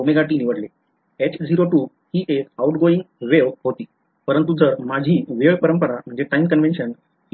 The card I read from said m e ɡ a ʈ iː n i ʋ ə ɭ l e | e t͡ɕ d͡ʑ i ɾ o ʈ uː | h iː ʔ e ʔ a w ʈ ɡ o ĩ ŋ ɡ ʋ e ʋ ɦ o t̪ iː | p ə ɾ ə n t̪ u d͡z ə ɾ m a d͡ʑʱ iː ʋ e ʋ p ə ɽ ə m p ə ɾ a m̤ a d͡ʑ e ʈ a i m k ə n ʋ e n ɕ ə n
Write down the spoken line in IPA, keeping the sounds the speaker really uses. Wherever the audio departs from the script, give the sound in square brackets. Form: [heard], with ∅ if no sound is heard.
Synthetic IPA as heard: m e ɡ a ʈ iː n i ʋ ə [ɽ] l e | e t͡ɕ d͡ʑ i ɾ o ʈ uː | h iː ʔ e [k] a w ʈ ɡ o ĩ ŋ ɡ ʋ e ʋ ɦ o t̪ iː | p ə ɾ ə n t̪ u d͡z ə ɾ m a d͡ʑʱ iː ʋ e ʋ p ə [ɾ] ə m p ə ɾ a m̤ [ə] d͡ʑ e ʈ a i m k ə n ʋ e n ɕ ə n